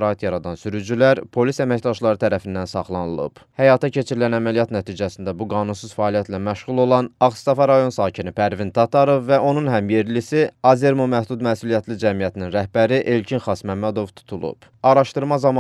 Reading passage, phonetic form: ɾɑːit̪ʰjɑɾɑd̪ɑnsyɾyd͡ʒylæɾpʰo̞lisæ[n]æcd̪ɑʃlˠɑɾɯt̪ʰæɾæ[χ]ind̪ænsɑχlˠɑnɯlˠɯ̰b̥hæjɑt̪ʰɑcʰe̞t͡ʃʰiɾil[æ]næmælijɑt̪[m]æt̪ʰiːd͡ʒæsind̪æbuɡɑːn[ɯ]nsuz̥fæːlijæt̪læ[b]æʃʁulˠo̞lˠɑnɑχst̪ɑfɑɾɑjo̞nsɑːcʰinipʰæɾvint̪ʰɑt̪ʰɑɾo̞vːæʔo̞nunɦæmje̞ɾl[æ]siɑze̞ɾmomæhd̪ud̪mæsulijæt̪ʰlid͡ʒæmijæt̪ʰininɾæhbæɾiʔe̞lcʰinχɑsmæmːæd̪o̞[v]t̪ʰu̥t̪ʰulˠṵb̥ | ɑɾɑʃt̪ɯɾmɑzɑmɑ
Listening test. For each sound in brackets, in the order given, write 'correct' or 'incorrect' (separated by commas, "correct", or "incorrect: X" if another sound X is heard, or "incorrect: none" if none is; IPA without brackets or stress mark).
incorrect: m, incorrect: f, correct, incorrect: n, incorrect: u, incorrect: m, incorrect: i, correct